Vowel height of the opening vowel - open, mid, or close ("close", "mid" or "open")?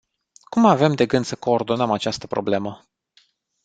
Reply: close